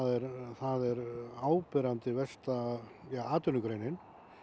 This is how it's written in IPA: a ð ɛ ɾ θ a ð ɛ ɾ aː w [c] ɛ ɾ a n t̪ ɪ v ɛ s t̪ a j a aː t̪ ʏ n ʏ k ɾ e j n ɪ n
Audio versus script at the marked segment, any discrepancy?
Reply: yes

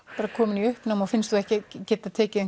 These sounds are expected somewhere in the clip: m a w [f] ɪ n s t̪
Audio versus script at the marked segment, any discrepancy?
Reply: no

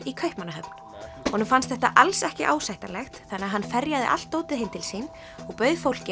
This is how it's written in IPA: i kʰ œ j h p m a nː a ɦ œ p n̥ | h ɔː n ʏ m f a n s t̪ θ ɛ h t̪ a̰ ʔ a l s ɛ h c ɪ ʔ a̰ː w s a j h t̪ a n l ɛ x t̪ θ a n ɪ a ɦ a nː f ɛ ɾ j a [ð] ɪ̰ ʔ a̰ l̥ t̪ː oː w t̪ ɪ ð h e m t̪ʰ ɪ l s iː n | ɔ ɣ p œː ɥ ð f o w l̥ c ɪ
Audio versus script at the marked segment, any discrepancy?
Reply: no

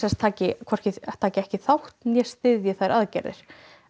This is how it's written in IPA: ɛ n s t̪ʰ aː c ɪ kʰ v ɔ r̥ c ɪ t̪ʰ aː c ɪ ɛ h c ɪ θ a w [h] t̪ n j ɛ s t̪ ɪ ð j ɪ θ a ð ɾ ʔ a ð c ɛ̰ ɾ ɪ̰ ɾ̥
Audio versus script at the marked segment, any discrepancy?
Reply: no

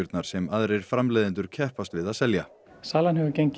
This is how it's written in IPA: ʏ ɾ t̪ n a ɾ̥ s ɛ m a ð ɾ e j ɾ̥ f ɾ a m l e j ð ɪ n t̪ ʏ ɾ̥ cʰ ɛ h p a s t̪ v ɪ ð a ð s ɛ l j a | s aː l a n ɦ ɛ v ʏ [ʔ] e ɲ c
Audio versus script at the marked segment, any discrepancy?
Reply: yes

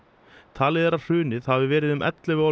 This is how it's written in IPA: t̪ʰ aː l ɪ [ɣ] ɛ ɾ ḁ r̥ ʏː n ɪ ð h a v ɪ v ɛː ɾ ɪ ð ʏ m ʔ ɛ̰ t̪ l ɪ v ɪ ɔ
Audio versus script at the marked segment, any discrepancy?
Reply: yes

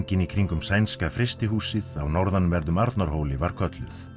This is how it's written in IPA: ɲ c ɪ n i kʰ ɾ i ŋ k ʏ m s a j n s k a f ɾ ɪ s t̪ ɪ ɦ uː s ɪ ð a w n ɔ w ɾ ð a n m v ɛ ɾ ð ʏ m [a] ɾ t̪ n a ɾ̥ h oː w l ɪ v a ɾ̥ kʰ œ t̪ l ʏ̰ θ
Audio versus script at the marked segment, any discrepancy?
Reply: no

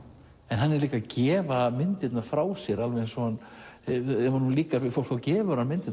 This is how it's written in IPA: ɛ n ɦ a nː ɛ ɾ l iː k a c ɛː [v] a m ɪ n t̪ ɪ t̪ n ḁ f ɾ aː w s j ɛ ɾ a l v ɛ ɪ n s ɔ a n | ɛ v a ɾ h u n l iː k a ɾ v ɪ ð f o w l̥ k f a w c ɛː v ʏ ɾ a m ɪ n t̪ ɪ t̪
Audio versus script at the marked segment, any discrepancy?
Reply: no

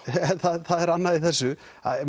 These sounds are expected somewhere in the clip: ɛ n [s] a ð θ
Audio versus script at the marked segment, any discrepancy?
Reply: yes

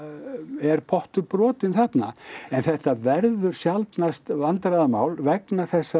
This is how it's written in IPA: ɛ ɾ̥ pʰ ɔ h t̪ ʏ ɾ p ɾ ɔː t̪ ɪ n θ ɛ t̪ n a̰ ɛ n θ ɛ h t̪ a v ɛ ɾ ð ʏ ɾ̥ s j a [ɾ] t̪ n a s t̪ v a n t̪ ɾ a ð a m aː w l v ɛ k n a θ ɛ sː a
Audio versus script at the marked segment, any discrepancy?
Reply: yes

